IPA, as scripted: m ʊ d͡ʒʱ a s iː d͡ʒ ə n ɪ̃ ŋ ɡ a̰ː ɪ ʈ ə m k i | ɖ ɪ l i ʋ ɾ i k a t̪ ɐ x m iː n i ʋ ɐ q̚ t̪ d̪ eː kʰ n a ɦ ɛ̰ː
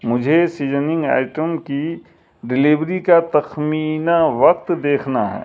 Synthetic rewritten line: m ʊ d͡ʒʱ e s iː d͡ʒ ə n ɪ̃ ŋ ɡ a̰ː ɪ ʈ ə m k i | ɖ ɪ l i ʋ ɾ i k a t̪ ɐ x m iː n a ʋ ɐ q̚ t̪ d̪ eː kʰ n a ɦ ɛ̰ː